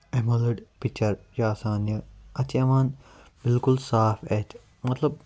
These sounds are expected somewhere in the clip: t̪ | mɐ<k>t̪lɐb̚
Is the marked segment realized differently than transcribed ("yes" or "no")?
yes